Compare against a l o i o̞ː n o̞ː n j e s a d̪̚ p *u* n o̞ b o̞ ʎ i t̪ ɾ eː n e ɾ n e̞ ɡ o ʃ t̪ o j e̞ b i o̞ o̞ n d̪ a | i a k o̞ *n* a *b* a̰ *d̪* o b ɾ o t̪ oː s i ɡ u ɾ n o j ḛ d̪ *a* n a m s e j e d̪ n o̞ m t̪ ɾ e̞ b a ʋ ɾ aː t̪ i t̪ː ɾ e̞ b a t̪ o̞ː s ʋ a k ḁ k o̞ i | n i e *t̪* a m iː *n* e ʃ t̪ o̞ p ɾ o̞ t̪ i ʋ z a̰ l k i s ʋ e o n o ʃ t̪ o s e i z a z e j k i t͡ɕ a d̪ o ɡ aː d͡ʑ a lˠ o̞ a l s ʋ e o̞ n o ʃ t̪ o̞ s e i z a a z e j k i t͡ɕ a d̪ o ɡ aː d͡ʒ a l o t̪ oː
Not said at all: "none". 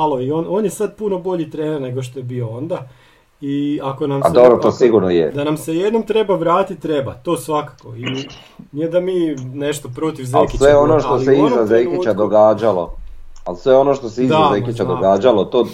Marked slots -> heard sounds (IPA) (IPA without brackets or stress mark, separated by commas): u, n, m, d̪, a, d̪, n